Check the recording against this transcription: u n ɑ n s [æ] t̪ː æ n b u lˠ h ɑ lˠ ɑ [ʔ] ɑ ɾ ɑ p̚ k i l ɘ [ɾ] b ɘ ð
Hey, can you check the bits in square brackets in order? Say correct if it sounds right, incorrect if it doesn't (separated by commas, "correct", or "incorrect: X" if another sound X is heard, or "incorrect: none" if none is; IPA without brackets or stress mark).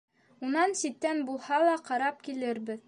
incorrect: i, incorrect: q, correct